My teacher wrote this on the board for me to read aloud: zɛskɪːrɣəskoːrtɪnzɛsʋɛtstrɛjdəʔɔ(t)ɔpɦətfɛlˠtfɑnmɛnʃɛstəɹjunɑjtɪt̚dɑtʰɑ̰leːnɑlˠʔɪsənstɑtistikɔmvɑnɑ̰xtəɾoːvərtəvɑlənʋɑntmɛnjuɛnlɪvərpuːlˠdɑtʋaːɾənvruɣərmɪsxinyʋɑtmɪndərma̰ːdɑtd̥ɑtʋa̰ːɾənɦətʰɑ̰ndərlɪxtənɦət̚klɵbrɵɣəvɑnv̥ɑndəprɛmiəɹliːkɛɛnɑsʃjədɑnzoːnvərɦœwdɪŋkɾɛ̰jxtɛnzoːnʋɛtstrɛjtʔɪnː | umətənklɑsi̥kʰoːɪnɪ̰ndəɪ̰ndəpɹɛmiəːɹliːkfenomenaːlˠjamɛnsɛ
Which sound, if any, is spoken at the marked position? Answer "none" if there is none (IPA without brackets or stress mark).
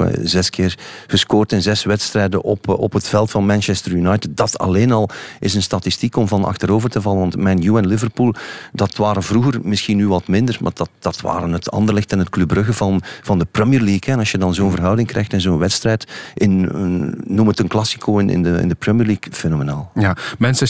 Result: p